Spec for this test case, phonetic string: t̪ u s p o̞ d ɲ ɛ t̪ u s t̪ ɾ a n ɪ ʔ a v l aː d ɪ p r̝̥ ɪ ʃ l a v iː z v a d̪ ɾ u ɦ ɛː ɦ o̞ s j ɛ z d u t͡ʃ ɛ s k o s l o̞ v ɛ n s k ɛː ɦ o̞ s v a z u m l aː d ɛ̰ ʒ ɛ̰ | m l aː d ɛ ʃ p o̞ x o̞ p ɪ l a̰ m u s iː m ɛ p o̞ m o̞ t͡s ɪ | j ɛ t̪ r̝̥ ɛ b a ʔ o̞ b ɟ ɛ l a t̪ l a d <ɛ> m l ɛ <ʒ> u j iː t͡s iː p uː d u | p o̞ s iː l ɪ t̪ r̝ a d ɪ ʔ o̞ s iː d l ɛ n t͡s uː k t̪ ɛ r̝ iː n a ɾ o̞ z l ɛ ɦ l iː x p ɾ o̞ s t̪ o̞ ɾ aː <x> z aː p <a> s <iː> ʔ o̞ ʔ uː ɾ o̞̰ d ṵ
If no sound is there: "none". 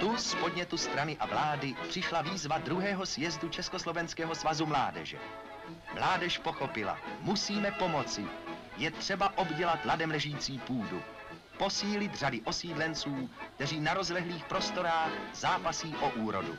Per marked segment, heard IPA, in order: ɛ, ʒ, x, a, iː

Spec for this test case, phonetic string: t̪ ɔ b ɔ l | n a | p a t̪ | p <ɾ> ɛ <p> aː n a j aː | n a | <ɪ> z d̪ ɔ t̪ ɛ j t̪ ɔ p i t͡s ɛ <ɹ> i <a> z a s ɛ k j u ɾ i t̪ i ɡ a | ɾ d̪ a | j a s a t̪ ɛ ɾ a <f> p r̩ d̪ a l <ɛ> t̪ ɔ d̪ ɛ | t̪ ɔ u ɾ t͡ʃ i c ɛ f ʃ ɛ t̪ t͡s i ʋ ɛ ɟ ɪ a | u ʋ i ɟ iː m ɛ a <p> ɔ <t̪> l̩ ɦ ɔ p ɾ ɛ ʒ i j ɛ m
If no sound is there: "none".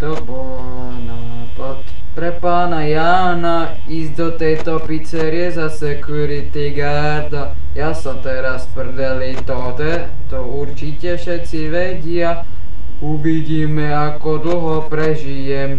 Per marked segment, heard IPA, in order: ɾ, p, i, ɾ, ɛ, s, i, k, d̪

